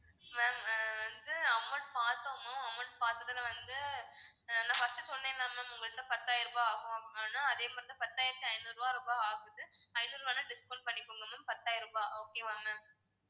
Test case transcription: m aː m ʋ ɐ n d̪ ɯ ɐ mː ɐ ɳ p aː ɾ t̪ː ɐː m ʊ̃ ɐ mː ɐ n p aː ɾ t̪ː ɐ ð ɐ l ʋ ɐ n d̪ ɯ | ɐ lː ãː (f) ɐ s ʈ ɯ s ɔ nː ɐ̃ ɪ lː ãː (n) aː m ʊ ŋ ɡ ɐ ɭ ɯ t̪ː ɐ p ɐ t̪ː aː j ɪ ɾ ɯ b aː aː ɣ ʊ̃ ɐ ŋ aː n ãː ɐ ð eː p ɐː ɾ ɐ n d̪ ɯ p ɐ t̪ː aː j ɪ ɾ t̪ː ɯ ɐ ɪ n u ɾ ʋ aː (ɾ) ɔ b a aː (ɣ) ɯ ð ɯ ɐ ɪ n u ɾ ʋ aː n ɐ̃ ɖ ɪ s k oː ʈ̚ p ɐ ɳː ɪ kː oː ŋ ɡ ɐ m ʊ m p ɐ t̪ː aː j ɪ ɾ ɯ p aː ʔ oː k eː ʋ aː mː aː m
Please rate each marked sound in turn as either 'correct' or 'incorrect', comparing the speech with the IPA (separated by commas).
correct, incorrect, correct, correct